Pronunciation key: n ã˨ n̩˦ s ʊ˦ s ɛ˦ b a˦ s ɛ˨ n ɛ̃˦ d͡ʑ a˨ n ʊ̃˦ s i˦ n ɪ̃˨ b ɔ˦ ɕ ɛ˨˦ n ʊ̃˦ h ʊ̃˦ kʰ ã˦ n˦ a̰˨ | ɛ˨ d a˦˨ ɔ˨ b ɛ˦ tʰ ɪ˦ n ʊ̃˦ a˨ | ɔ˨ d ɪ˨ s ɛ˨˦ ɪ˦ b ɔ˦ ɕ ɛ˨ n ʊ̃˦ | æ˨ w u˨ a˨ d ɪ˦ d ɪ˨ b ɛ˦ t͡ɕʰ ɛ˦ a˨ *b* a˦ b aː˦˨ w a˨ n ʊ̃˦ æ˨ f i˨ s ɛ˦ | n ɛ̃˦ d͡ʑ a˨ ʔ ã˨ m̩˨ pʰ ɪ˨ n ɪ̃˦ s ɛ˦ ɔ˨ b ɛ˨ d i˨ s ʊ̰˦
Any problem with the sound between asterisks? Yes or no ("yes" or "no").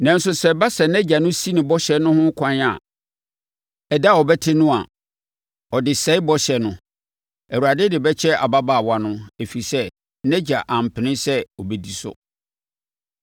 no